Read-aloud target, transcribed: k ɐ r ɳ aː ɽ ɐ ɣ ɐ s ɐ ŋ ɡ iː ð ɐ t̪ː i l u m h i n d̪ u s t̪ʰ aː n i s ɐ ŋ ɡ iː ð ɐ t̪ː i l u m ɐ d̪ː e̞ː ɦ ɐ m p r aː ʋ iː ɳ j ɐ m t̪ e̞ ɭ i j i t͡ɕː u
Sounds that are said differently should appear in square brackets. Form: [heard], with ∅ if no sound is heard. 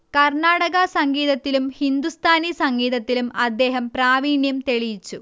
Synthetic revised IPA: k ɐ r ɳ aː ɽ ɐ ɣ ɐ s ɐ ŋ ɡ iː ð ɐ t̪ː i l u m h i n d̪ u s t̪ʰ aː n i s ɐ ŋ ɡ iː ð ɐ t̪ː i l u m ɐ d̪ː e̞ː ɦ ɐ m p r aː ʋ iː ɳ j ɐ m t̪ e̞ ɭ i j i t͡ɕː u